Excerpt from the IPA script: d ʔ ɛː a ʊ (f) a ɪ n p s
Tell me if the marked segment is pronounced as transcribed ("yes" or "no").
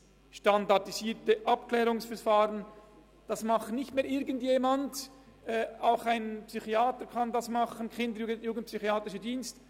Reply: no